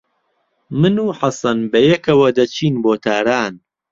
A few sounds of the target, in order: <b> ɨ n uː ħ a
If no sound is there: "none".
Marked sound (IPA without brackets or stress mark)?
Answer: m